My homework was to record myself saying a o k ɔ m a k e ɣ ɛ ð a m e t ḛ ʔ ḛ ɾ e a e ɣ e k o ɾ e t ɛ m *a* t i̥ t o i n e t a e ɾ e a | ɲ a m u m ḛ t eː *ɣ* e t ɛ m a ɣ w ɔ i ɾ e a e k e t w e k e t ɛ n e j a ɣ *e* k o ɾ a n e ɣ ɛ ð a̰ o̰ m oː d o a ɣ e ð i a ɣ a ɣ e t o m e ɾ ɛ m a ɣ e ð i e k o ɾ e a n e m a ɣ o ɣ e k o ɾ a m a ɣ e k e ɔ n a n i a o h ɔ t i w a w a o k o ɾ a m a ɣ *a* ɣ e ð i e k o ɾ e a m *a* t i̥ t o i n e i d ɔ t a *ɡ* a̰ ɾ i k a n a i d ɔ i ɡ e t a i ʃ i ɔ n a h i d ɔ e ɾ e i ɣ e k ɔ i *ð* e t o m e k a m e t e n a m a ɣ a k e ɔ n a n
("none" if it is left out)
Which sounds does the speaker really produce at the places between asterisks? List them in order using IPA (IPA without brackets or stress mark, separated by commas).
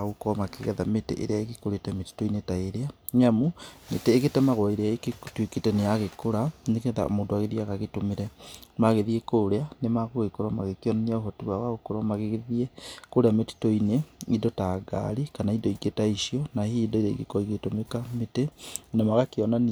e, ɣ, e, e, e, ɡ, ɣ